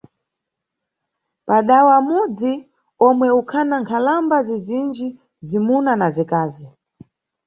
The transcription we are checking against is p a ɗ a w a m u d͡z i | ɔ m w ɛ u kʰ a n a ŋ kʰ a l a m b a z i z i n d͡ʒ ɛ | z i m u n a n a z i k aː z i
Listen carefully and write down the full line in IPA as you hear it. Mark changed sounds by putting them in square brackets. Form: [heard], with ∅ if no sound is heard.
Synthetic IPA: p a ɗ a w a m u d͡z i | ɔ m w ɛ u kʰ a n a ŋ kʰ a l a m b a z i z i n d͡ʒ [i] | z i m u n a n a z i k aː z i